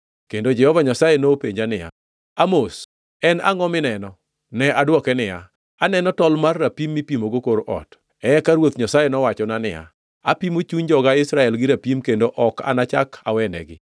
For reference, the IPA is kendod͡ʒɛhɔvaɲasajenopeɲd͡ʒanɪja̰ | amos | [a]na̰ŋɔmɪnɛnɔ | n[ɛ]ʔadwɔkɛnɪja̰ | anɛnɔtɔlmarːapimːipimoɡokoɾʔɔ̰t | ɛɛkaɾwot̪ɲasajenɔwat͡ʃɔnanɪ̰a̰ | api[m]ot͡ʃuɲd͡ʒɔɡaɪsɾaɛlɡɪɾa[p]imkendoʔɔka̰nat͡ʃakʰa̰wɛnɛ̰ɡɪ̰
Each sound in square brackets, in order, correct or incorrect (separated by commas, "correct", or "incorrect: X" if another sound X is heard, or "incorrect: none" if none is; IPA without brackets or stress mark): incorrect: ɛ, correct, correct, correct